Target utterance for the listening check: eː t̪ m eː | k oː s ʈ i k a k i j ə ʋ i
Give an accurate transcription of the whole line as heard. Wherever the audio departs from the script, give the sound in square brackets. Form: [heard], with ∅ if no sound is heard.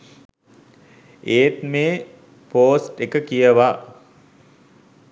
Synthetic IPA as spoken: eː t̪ m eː | [p] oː s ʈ [e] k [ə] k i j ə ʋ [a]